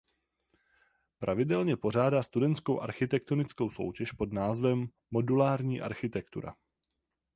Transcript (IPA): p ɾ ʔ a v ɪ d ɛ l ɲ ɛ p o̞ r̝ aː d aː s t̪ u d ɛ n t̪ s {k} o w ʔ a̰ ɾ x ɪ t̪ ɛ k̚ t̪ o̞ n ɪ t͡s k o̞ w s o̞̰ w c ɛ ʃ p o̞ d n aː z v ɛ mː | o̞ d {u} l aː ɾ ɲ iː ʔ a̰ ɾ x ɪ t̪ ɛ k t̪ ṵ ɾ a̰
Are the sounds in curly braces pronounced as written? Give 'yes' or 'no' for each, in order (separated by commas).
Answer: yes, yes